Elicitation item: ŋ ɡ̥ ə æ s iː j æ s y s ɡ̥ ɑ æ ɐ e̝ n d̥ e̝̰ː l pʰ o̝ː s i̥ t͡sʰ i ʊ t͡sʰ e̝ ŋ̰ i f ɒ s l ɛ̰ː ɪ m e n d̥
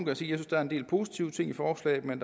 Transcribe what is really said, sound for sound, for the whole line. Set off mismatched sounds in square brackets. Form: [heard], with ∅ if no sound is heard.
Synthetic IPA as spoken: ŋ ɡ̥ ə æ s iː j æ s y s [d̥] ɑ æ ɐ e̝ n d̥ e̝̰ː l pʰ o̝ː s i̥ t͡sʰ i ʊ t͡sʰ e̝ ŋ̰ i f [ɒː] s l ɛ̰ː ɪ m e n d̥